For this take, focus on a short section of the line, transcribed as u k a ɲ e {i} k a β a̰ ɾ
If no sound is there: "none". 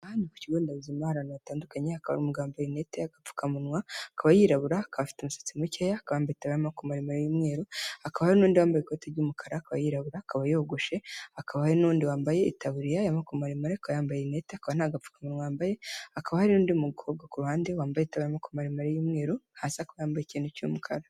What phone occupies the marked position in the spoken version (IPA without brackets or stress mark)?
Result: a